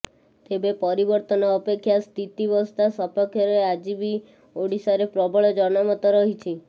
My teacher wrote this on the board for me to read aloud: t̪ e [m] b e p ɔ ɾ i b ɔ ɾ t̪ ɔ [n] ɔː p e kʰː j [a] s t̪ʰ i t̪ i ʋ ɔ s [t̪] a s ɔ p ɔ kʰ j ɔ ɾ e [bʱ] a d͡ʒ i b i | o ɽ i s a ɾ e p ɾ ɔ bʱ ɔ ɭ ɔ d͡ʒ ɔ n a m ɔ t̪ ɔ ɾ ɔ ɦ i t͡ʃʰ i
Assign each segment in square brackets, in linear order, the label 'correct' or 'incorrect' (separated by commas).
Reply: incorrect, correct, correct, correct, incorrect